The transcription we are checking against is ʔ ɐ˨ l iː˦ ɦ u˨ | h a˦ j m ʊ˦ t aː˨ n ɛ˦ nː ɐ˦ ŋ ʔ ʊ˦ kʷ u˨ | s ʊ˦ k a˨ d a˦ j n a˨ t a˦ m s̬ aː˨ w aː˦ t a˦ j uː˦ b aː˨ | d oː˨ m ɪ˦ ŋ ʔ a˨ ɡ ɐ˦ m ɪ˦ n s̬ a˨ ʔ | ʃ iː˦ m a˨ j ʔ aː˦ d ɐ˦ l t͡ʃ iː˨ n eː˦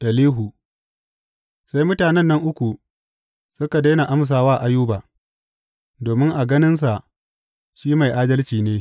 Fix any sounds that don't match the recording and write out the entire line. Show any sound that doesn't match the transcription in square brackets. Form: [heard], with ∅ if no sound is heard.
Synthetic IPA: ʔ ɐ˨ l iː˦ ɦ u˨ | [s] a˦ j m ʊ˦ t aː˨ n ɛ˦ nː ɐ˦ ŋ ʔ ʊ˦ kʷ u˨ | s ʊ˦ k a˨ d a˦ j n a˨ [ʔ] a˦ m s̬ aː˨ w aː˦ [ʔ] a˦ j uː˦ b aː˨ | d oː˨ m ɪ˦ ŋ ʔ a˨ ɡ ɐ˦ [n] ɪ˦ n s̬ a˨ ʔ | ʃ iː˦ m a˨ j ʔ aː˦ d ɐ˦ l t͡ʃ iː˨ n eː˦